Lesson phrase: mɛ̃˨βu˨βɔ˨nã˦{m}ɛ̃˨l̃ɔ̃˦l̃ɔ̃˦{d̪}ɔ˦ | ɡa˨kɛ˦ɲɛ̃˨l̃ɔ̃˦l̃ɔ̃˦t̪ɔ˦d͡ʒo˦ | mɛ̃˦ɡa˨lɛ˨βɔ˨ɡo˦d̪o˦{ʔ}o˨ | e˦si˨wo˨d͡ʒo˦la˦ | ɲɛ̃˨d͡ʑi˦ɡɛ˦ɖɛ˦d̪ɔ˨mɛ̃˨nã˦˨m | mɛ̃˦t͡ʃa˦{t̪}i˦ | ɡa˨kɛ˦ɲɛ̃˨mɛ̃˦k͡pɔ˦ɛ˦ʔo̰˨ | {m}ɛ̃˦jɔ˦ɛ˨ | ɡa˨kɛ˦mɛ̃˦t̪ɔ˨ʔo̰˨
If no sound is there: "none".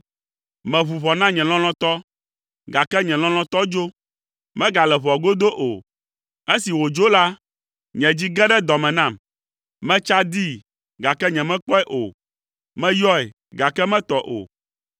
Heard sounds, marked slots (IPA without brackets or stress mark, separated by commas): ɲ, t̪, ʔ, d̪, m